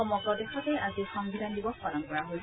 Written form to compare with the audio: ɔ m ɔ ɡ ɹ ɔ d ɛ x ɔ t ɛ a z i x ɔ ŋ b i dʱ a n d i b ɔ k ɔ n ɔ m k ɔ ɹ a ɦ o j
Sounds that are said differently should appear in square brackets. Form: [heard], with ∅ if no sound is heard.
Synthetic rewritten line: ɔ m ɔ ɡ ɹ ɔ d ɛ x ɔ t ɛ a z i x ɔ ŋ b i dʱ a n d i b ɔ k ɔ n ɔ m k ɔ ɹ a ɦ o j